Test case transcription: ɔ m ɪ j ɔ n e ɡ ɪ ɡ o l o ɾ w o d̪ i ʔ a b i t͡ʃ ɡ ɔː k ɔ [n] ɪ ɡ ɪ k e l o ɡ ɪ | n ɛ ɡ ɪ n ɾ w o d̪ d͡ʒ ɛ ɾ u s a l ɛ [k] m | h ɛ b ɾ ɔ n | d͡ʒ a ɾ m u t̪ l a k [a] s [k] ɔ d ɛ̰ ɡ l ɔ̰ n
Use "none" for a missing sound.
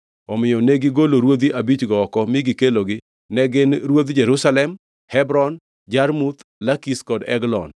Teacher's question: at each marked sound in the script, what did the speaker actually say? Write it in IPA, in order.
m, none, i, k

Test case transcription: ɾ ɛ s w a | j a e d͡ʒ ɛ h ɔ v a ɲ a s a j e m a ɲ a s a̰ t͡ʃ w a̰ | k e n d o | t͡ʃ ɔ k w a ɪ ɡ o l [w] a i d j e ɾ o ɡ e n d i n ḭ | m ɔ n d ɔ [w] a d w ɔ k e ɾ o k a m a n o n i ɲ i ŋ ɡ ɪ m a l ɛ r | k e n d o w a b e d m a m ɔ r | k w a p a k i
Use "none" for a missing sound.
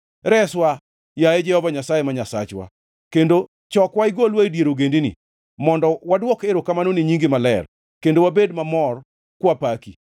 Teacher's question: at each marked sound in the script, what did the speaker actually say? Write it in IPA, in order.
w, w

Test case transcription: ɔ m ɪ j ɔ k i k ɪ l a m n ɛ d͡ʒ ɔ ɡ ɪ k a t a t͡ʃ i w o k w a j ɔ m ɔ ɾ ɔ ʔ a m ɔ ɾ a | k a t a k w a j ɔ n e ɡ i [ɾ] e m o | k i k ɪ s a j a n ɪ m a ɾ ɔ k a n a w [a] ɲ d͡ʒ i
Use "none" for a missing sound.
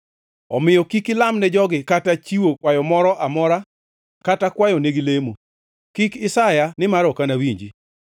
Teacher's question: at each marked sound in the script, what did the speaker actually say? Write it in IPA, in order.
l, i

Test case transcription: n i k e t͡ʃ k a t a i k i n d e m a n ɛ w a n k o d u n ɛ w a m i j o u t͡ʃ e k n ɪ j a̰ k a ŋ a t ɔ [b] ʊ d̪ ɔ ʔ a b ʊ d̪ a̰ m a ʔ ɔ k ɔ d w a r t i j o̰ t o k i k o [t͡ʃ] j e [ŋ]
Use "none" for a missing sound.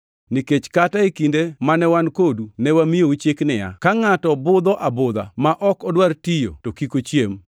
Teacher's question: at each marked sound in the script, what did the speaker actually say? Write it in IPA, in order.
b, t͡ʃ, m

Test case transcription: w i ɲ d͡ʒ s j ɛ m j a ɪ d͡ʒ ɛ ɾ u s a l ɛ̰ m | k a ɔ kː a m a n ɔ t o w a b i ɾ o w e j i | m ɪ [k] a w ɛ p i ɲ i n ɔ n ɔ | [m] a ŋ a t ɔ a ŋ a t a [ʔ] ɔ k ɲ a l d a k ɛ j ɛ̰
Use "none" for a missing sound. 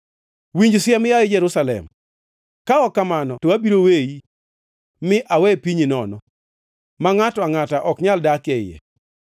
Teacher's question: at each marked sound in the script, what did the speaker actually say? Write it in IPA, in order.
ʔ, m, ʔ

